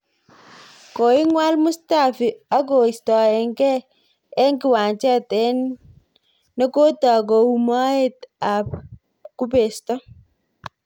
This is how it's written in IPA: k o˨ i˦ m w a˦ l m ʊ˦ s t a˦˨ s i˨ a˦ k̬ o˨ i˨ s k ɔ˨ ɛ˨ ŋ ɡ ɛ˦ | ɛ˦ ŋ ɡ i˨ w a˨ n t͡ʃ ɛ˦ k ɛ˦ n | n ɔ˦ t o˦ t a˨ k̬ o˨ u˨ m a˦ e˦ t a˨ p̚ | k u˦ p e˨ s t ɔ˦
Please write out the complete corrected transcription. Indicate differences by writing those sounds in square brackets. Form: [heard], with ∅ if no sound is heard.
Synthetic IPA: k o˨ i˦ [ŋ] w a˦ l m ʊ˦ s t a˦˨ [f] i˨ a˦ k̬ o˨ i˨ s [t] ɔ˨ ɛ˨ ŋ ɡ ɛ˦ | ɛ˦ ŋ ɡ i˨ w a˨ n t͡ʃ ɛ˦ [t] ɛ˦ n | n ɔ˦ [k] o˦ t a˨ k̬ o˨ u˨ m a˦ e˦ t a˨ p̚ | k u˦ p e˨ s t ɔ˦